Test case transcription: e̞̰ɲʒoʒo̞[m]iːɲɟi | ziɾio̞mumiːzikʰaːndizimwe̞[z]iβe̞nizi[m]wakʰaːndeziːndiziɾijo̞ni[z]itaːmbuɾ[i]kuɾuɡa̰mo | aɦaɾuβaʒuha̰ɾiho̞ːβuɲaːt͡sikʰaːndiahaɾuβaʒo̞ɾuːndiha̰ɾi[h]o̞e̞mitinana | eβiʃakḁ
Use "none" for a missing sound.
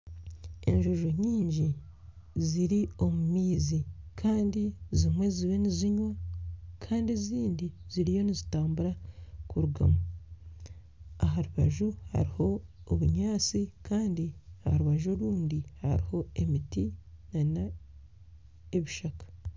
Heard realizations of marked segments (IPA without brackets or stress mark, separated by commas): ɲ, z, ɲ, z, a, h